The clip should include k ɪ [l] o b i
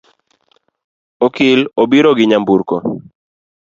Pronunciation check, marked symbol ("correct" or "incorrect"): correct